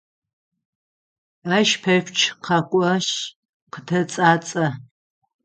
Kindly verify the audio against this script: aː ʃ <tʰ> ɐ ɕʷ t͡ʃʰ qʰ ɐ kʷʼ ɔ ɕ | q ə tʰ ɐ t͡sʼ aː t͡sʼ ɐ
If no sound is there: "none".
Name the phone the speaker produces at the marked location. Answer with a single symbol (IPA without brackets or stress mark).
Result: pʰ